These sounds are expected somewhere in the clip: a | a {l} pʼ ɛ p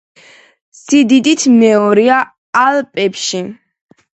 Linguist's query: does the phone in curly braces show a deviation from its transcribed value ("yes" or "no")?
no